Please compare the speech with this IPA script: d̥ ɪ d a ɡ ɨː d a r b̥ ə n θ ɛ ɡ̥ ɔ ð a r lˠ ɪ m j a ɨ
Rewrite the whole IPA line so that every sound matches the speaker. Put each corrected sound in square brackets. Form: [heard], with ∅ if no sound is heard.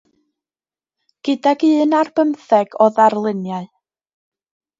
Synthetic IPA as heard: [ɡ̥] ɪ d a ɡ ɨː [n] a r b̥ ə [m] θ ɛ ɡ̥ ɔ ð a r lˠ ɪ [n] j a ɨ